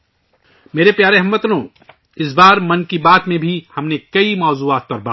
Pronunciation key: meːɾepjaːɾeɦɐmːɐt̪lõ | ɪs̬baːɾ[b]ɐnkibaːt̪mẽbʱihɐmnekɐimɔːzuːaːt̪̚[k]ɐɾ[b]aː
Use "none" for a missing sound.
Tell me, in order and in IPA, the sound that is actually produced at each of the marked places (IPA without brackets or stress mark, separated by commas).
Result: m, p, b